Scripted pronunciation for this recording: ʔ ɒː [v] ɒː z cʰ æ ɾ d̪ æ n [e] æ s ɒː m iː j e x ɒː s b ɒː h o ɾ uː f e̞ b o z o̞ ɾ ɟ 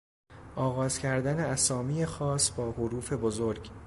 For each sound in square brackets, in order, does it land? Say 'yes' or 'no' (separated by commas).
no, yes